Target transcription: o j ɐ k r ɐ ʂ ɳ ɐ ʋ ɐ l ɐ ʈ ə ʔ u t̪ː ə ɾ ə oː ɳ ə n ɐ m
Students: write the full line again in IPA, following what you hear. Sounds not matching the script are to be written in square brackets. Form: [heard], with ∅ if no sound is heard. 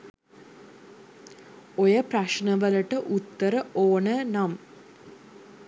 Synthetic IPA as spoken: o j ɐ [p] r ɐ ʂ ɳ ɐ ʋ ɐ l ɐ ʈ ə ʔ u t̪ː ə ɾ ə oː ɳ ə n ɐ m